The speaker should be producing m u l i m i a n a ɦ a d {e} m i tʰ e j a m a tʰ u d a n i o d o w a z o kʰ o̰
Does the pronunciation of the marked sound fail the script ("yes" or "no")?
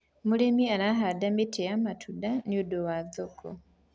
yes